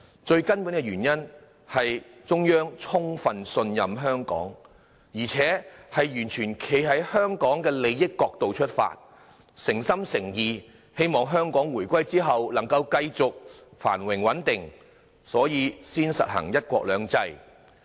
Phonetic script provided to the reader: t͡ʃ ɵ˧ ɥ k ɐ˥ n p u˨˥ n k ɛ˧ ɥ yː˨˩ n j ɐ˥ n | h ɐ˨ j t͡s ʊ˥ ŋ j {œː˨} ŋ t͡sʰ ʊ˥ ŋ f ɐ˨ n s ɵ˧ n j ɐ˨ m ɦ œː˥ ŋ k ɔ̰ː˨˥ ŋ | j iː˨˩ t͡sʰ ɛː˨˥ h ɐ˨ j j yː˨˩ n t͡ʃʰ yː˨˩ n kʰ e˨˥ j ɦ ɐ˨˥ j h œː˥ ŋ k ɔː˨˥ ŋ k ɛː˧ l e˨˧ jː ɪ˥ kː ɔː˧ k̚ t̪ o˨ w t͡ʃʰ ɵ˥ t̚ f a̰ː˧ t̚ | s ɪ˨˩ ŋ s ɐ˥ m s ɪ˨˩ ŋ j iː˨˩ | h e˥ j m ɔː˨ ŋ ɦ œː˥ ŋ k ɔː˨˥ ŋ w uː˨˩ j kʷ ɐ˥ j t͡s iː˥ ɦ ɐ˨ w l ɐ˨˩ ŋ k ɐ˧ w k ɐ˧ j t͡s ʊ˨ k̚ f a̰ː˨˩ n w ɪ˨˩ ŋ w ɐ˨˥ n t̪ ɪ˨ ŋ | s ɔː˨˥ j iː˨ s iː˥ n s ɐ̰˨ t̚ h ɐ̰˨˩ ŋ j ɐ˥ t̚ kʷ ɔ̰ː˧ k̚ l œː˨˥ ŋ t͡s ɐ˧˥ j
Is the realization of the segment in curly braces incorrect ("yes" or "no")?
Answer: yes